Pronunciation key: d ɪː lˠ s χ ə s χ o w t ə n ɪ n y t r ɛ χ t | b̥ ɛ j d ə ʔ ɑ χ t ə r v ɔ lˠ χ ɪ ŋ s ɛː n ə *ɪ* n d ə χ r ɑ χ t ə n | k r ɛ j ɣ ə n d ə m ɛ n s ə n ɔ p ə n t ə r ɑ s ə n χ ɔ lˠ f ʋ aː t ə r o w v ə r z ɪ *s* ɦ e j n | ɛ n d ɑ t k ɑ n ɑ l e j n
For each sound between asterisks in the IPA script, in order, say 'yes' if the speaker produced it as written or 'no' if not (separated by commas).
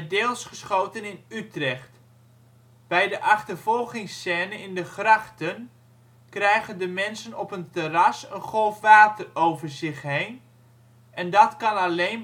yes, no